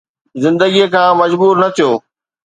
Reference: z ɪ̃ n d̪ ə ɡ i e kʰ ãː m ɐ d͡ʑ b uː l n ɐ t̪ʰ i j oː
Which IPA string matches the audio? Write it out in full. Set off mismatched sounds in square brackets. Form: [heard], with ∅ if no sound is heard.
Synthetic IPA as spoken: z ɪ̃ n d̪ ə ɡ i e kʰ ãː m ɐ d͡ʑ b uː [ɾ] n ɐ t̪ʰ i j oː